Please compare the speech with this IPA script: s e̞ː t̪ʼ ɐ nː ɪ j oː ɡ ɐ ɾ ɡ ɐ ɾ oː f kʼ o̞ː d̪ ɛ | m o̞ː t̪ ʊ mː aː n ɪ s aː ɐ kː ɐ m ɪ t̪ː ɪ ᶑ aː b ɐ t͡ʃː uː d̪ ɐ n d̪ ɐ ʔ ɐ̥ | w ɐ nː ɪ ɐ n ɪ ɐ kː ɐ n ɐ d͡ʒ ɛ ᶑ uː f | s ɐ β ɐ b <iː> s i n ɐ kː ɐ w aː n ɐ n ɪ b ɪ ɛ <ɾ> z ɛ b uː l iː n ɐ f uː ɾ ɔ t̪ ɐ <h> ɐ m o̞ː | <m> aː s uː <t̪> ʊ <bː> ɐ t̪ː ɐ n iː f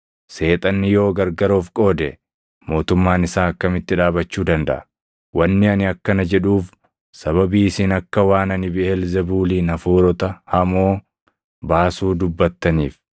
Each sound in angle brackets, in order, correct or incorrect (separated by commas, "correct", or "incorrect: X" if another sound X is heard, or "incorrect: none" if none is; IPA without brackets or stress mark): correct, incorrect: l, correct, incorrect: b, incorrect: d̪, correct